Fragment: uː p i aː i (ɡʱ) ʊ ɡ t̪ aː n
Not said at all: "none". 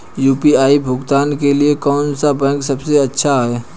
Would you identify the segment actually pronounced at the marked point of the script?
bʱ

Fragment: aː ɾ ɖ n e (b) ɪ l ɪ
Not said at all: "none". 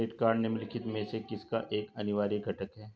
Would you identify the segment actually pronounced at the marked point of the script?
m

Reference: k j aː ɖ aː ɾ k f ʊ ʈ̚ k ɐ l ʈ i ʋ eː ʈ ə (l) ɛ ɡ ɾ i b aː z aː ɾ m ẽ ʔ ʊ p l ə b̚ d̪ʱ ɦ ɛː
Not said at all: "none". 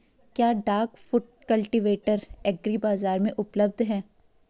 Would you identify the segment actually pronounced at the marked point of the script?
ɾ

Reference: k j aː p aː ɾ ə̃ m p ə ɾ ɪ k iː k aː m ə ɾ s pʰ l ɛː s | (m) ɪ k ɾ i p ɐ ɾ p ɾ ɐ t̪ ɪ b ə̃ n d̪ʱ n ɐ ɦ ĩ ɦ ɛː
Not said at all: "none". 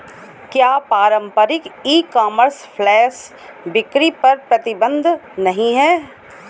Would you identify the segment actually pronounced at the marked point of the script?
b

